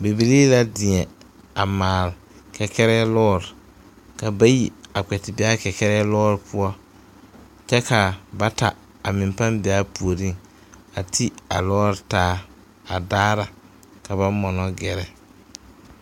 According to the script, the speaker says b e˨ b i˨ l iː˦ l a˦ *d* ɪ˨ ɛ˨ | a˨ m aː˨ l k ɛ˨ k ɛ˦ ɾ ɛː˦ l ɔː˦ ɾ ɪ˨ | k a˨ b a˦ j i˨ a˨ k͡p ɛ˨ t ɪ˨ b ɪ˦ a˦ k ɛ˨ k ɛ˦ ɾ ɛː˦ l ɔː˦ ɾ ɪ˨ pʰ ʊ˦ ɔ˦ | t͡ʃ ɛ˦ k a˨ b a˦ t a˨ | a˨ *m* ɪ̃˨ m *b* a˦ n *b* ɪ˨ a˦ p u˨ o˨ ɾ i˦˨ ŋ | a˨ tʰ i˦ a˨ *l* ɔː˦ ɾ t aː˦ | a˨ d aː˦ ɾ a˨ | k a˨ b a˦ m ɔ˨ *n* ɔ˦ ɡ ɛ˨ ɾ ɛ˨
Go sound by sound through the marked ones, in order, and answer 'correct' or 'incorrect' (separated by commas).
correct, correct, incorrect, correct, correct, correct